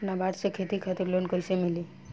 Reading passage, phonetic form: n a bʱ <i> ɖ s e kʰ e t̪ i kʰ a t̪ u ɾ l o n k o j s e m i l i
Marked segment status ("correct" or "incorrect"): incorrect